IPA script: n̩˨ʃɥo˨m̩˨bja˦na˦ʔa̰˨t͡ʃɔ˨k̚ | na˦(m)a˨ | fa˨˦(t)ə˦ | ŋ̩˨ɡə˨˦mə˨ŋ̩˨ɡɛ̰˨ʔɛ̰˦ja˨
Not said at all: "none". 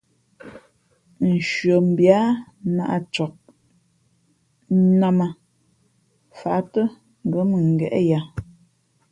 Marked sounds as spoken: m, t

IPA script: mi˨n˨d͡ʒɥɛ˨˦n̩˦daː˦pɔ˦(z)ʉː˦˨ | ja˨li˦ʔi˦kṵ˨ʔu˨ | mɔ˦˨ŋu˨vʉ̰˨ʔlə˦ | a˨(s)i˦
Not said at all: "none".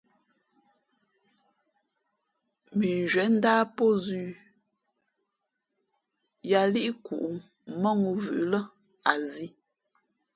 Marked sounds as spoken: z, z

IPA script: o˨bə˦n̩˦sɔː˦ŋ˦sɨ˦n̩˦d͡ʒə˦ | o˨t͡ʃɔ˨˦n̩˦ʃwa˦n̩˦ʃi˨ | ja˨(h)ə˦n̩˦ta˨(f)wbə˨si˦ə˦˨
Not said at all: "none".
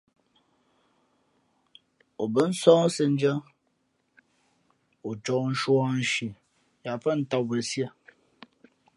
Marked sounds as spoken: f, none

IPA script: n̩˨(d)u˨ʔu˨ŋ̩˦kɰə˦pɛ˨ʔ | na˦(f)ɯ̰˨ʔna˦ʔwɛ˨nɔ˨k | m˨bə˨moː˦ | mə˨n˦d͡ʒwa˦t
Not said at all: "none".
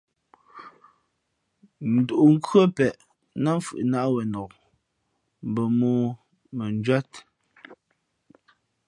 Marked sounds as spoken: d, f

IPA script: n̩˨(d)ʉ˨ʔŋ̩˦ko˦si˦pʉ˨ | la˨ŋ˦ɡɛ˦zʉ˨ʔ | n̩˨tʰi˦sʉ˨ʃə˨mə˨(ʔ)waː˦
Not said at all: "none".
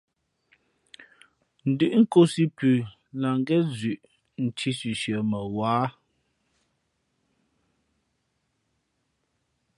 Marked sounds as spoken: d, none

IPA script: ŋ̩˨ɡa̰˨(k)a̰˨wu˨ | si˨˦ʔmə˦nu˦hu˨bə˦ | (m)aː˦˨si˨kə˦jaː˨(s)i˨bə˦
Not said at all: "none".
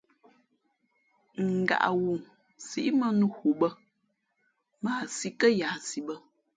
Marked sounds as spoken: ʔ, m, s

